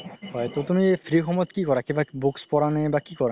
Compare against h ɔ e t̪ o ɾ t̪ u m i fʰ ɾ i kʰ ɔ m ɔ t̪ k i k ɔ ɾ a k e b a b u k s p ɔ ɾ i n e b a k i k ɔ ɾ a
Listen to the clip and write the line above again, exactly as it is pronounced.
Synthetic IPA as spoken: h ɔ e t̪ o t̪ u m i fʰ ɾ i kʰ ɔ m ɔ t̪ k i k ɔ ɾ a k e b a b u k s p ɔ ɾ a n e b a k i k ɔ ɾ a